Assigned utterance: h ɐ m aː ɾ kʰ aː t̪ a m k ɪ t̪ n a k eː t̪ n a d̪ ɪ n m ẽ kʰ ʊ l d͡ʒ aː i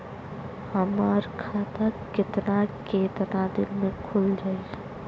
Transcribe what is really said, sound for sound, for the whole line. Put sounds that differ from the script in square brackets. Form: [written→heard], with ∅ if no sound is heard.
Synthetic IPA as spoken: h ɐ m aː ɾ kʰ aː t̪ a [m→∅] k ɪ t̪ n a k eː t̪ n a d̪ ɪ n m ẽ kʰ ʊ l d͡ʒ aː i